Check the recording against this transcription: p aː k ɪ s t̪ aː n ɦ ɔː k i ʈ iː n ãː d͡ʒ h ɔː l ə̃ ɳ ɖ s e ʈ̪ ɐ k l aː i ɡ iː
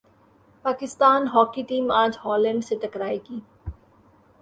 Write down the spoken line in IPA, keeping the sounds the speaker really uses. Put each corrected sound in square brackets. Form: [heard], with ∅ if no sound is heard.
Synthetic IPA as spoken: p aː k ɪ s t̪ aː n ɦ ɔː k i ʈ iː [m] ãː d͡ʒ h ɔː l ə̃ ɳ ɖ s e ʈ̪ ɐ k [ɾ] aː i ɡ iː